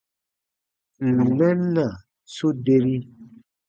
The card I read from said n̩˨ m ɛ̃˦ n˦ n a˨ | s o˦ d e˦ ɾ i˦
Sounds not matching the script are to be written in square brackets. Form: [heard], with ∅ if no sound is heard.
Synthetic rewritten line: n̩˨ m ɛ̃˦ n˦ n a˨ | s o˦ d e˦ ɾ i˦